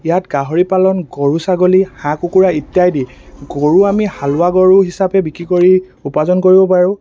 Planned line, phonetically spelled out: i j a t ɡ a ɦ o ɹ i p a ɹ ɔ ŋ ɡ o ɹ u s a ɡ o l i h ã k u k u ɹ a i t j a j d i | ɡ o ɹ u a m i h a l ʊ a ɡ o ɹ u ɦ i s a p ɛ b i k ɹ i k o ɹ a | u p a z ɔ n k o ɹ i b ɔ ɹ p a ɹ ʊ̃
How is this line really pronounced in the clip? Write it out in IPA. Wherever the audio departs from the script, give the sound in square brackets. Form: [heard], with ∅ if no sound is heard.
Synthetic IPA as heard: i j a t ɡ a ɦ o ɹ i p a [l] ɔ [n] ɡ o ɹ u s a ɡ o l i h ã k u k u ɹ a i t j a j d i | ɡ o ɹ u a m i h a l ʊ a ɡ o ɹ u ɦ i s a p ɛ b i k ɹ i k o ɹ [i] | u p a z ɔ n k o ɹ i b ɔ [∅] p a ɹ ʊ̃